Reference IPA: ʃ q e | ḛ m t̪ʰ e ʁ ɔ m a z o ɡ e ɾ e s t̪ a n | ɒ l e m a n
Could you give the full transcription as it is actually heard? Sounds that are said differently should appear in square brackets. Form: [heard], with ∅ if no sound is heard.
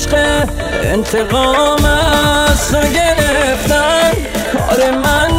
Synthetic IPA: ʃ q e | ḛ [n] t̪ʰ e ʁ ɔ m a [s] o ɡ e ɾ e [f] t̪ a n | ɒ [ɾ] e m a n